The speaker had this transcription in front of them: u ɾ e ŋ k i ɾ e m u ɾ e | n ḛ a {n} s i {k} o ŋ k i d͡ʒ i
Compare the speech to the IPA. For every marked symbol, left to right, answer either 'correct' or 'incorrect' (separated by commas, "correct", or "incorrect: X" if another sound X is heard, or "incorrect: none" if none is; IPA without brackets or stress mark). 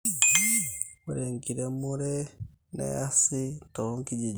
incorrect: none, incorrect: t